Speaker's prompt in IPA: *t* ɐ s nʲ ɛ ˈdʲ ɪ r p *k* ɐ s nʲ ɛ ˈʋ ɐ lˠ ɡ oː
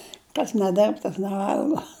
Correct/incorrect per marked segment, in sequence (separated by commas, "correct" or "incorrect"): incorrect, incorrect